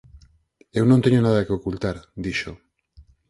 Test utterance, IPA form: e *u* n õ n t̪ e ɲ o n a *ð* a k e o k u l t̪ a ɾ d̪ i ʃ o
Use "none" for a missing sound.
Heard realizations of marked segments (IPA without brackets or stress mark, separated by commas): w, ð